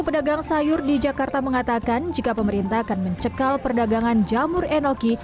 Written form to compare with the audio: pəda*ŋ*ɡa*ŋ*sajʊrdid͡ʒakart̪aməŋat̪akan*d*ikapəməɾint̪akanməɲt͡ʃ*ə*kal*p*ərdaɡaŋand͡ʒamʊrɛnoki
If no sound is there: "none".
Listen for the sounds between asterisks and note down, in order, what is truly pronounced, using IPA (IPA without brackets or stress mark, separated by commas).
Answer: none, ŋ, d͡ʒ, ə, p